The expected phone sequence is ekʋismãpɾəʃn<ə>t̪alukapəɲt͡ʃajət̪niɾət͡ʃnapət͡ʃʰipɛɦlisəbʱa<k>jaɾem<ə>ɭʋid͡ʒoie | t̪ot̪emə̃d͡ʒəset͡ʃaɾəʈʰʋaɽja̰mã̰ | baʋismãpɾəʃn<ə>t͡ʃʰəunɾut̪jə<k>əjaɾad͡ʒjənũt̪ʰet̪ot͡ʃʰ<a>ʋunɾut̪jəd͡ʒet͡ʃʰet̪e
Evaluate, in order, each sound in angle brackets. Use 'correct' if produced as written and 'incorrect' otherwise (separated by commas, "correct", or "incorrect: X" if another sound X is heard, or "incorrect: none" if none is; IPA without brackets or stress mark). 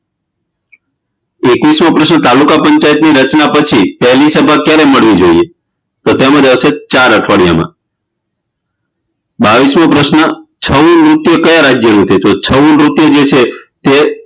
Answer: correct, correct, correct, correct, correct, incorrect: ə